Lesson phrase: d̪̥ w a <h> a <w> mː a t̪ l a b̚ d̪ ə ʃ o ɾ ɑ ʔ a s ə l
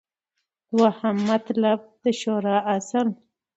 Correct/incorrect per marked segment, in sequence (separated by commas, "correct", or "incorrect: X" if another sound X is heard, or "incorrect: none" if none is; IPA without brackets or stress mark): correct, incorrect: none